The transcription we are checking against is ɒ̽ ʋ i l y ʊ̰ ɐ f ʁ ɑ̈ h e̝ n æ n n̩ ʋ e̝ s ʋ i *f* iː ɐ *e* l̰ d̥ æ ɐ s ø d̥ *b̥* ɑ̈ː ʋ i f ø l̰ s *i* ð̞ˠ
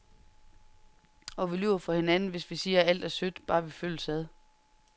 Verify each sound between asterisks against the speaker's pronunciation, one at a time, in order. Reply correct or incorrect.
incorrect: s, incorrect: æ, correct, incorrect: æ

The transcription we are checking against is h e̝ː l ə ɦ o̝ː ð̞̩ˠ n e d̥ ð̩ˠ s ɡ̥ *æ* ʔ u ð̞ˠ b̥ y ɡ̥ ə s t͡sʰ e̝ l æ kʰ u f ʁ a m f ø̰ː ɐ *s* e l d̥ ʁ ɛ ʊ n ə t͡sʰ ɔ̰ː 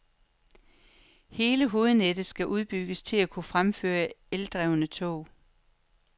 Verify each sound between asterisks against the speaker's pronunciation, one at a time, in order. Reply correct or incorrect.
correct, incorrect: none

